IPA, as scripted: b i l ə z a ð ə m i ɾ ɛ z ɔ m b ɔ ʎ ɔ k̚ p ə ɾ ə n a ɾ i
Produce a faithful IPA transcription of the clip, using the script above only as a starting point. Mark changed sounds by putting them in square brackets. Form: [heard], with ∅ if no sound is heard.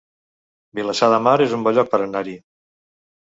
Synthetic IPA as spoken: b i l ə [s] a ð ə m [a] ɾ [e] z [u] m b ɔ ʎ ɔ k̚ p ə ɾ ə n a ɾ i